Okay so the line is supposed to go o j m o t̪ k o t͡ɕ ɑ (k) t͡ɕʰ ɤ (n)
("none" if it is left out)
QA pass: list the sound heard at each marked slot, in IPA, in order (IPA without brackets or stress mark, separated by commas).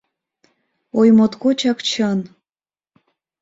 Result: k, n